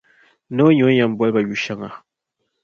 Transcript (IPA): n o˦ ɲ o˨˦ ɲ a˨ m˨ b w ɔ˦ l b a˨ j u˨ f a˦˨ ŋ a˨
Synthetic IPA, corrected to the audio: n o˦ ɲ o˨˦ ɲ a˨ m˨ b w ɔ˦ l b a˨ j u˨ ʃ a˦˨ ŋ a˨